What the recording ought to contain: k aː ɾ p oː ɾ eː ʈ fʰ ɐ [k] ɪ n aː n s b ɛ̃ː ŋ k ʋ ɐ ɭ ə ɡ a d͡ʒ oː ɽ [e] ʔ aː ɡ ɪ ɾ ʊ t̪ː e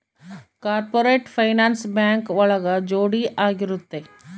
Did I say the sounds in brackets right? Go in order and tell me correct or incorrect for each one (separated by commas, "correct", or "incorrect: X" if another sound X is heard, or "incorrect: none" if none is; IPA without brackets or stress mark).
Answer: incorrect: none, incorrect: i